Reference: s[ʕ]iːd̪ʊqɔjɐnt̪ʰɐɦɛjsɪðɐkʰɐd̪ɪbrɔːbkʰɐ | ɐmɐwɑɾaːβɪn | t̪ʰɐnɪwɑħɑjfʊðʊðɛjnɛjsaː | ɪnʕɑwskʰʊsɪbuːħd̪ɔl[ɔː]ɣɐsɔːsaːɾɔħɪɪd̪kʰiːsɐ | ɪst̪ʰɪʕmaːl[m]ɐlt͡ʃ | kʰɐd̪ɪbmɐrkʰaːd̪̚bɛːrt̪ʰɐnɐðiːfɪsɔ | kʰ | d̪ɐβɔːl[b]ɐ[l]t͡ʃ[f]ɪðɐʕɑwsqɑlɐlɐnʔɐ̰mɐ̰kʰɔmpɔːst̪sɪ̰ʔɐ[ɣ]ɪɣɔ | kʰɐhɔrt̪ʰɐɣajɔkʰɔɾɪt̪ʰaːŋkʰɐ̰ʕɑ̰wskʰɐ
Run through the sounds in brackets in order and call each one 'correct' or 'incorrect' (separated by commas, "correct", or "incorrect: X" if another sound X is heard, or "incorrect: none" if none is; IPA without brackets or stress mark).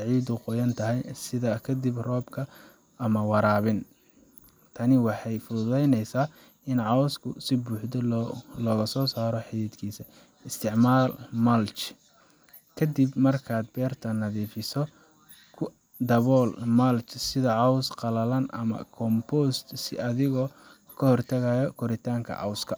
correct, correct, correct, incorrect: m, correct, incorrect: s, incorrect: ð